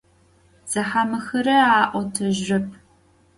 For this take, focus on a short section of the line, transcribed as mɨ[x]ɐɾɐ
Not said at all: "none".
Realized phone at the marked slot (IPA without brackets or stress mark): x